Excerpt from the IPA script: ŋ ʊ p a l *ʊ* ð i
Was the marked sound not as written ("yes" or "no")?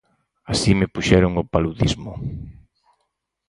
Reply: yes